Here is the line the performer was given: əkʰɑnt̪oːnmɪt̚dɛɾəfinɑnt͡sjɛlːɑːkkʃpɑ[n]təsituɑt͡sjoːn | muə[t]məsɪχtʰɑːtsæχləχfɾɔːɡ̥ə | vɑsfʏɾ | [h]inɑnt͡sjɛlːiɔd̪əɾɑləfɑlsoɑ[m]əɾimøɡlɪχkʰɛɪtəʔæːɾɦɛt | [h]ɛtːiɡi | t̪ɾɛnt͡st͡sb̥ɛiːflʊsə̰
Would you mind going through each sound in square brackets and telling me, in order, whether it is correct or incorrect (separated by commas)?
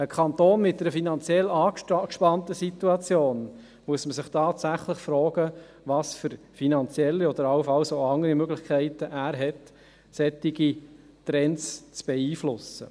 correct, incorrect, incorrect, incorrect, incorrect